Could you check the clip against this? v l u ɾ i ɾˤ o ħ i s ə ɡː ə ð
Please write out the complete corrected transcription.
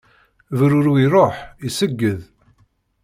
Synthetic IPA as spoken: v ɾ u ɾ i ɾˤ o ħ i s ə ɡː ə ð